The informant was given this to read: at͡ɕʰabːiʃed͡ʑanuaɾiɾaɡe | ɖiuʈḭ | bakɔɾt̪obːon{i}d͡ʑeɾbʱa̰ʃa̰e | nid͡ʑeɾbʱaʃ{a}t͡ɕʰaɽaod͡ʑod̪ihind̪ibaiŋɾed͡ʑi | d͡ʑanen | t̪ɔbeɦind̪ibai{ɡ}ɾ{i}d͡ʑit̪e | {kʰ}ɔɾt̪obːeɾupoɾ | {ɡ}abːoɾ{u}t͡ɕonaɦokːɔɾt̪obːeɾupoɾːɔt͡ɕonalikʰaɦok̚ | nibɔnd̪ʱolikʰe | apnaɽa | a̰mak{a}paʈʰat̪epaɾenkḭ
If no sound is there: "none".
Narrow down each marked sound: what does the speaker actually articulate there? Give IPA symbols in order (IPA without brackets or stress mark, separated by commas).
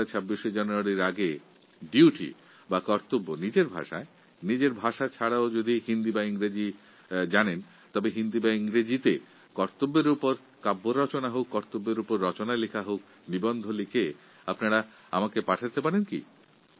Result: i, a, ŋ, e, k, k, ɔ, e